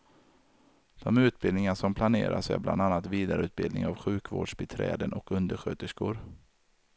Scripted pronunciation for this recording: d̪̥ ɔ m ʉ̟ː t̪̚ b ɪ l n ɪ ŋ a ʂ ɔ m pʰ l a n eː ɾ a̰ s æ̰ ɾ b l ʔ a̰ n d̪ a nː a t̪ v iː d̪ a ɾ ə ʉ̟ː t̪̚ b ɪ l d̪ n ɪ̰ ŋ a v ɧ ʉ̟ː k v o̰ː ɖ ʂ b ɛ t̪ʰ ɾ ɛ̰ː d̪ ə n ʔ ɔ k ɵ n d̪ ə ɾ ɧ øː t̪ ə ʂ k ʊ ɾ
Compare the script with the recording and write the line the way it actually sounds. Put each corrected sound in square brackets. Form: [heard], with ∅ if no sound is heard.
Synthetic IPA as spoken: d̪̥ ɔ m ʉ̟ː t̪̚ b ɪ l n ɪ ŋ a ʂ ɔ m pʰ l a n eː ɾ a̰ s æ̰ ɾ b l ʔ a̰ n d̪ a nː a t̪ v iː d̪ a ɾ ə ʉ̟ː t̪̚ b ɪ l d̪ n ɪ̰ ŋ a v ɧ ʉ̟ː k v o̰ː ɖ ʂ b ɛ t̪ʰ ɾ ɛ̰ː d̪ ə n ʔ ɔ k ɵ n d̪ ə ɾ ɧ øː t̪ ə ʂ k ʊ ɾ